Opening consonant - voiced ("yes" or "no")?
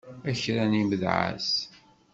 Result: no